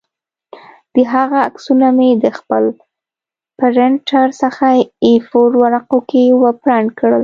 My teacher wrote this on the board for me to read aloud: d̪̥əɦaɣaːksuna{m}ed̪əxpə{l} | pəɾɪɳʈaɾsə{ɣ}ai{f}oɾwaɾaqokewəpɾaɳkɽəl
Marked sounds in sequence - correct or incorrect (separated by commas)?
correct, correct, incorrect, correct